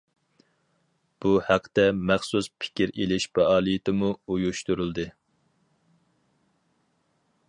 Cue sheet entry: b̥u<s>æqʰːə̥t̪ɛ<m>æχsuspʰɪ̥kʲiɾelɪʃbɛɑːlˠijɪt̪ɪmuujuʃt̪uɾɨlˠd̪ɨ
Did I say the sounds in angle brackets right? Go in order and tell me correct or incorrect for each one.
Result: incorrect: h, correct

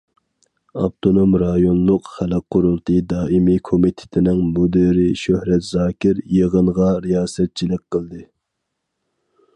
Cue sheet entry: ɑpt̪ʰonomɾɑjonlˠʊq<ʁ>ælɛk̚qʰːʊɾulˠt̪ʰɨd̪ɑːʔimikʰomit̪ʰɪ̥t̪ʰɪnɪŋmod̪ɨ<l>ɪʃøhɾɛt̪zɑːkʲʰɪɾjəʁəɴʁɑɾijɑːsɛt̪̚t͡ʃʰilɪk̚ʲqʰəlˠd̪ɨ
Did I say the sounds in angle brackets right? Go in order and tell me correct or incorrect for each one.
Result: incorrect: χ, incorrect: ɾ

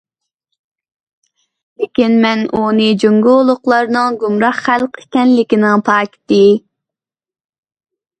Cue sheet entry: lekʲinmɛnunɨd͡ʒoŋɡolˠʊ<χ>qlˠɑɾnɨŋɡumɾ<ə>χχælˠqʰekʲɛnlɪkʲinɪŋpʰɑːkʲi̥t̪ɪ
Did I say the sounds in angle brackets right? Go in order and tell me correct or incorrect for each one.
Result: incorrect: none, incorrect: ɑ

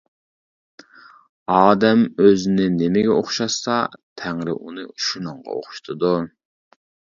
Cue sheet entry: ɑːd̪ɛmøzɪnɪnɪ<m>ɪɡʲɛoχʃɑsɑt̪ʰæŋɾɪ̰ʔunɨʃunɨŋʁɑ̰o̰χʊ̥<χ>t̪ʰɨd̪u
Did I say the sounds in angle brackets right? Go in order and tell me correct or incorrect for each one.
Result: correct, incorrect: ʃ

